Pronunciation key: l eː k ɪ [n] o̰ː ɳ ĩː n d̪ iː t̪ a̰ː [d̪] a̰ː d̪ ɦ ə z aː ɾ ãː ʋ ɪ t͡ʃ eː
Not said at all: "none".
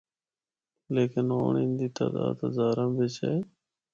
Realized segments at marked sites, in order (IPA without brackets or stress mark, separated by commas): n, d̪